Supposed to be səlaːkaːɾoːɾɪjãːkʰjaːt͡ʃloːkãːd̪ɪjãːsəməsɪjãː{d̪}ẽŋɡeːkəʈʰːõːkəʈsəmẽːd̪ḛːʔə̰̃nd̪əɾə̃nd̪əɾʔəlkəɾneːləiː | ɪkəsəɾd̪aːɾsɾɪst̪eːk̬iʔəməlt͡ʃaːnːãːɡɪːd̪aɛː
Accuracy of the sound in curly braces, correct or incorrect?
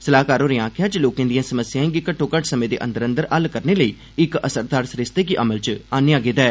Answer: incorrect